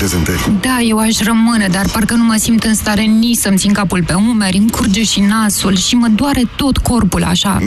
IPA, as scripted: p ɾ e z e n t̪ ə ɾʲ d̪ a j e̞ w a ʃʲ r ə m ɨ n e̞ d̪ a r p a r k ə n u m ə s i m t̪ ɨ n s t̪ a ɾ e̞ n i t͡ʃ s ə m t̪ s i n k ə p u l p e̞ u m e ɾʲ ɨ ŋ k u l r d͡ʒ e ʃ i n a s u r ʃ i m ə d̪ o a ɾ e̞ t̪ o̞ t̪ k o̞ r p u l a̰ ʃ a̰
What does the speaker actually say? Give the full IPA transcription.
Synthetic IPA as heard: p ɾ e z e n t̪ ə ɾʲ d̪ a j e̞ w a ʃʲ r ə m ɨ n e̞ d̪ a r p a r k ə n u m ə s i m t̪ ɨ n s t̪ a ɾ e̞ n i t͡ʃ s ə m t̪ s i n k a p u l p e̞ u m e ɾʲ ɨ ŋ k u r d͡ʒ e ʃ i n a s u l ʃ i m ə d̪ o a ɾ e̞ t̪ o̞ t̪ k o̞ r p u l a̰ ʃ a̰